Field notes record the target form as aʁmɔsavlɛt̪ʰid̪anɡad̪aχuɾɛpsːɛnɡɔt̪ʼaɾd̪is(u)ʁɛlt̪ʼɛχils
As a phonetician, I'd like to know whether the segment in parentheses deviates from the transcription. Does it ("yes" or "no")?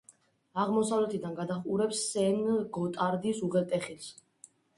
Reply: no